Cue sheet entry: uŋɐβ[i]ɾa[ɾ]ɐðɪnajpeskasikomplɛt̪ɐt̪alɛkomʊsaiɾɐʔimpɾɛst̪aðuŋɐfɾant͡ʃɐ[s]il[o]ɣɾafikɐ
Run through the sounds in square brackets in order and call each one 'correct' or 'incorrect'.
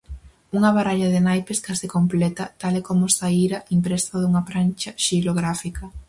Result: incorrect, incorrect, incorrect, correct

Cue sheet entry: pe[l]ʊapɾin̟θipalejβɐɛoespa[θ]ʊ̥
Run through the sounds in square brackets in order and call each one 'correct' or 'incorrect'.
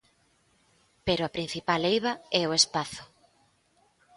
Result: incorrect, correct

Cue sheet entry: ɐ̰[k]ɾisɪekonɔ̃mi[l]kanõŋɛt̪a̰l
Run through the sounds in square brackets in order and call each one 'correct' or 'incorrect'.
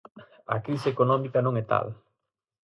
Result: correct, incorrect

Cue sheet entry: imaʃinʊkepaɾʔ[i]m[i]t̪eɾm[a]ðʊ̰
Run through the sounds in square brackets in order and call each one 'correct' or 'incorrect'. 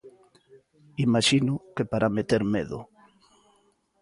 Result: incorrect, incorrect, incorrect

